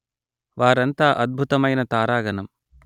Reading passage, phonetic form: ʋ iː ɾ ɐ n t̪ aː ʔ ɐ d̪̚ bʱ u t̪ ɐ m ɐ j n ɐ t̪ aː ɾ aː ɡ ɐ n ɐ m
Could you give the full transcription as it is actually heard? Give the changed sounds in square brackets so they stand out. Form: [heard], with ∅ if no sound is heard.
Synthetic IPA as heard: ʋ [aː] ɾ ɐ n t̪ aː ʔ ɐ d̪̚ bʱ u t̪ ɐ m ɐ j n ɐ t̪ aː ɾ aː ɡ ɐ n ɐ m